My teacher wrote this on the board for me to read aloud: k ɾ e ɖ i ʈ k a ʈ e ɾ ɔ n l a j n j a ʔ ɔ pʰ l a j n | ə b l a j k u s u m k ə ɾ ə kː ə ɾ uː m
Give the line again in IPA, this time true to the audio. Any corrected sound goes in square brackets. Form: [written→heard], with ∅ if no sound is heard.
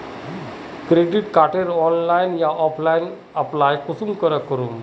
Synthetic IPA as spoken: k ɾ e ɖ i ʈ k a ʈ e ɾ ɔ n l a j n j a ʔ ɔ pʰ l a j n | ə [b→p] l a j k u s u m k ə ɾ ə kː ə ɾ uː m